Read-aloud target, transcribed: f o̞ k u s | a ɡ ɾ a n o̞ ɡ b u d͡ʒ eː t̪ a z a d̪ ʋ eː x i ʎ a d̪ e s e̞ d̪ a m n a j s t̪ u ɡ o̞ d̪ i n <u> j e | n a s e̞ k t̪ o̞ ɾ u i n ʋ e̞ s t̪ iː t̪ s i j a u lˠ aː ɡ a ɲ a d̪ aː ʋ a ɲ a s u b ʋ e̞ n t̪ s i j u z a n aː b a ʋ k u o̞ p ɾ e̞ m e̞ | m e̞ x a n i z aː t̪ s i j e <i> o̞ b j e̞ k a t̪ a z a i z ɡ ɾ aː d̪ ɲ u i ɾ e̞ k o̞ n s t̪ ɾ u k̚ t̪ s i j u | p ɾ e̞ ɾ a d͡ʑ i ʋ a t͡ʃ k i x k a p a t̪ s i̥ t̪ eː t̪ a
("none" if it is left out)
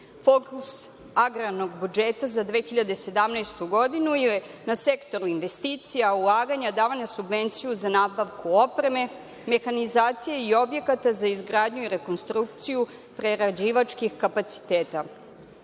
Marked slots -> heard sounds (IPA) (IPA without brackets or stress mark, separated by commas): u, i